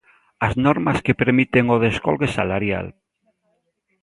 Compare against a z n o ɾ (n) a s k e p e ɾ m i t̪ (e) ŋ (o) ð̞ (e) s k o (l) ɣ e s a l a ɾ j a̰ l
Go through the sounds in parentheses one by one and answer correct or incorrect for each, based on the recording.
incorrect, correct, correct, correct, correct

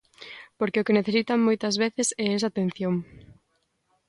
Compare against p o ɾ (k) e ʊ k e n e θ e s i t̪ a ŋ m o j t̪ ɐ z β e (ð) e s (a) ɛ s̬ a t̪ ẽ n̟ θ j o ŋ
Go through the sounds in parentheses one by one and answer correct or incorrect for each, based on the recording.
correct, incorrect, incorrect

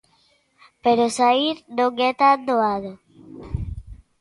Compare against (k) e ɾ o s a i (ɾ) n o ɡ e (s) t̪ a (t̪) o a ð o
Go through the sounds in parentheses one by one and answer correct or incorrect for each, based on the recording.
incorrect, correct, incorrect, incorrect

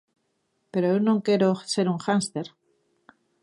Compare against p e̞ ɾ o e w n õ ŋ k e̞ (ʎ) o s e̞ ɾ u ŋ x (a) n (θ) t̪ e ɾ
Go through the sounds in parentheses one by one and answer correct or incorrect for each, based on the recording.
incorrect, correct, incorrect

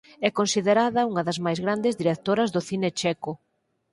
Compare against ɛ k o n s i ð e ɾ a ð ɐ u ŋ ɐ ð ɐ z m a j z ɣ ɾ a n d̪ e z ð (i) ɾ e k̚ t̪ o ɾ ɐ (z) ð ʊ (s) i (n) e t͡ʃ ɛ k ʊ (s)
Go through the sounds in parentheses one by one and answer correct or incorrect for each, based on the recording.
correct, correct, incorrect, correct, incorrect

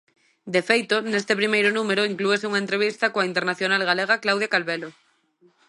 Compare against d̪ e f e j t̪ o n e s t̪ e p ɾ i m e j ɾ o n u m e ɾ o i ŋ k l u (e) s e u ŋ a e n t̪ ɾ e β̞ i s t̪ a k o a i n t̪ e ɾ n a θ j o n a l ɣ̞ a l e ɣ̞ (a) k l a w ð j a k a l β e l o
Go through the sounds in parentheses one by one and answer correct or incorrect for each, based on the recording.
correct, correct

